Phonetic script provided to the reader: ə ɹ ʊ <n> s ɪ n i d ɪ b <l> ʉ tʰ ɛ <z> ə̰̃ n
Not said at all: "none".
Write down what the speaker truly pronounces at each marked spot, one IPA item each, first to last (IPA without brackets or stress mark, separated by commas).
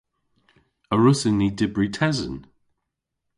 none, ɹ, z